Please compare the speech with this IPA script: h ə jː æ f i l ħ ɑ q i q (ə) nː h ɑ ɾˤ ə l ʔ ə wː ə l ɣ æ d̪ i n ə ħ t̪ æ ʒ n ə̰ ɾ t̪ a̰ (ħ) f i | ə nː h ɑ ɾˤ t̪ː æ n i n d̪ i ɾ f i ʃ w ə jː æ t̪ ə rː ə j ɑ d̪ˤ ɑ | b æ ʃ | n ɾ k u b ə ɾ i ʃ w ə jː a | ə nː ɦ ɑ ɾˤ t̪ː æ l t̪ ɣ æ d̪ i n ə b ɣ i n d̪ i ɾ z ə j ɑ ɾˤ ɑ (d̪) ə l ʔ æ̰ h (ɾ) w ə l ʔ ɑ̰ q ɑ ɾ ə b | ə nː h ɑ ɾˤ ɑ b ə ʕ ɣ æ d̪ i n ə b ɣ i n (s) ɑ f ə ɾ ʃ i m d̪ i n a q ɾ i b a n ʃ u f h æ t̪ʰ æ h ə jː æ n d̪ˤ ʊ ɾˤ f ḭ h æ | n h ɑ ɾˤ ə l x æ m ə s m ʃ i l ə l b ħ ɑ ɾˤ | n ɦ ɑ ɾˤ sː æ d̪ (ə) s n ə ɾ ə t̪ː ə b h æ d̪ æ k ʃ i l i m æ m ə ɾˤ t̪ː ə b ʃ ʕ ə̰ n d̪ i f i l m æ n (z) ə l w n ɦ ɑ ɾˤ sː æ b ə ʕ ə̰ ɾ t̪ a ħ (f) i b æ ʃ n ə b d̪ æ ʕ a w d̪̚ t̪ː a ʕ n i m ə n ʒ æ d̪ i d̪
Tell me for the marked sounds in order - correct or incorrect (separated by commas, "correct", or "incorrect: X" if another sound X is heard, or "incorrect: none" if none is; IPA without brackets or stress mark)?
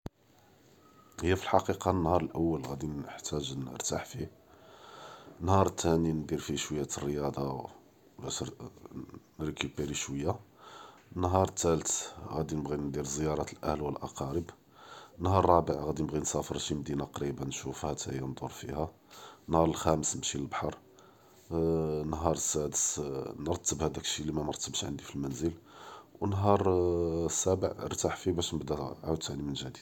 incorrect: ɑ, correct, incorrect: t̪, incorrect: l, correct, correct, correct, correct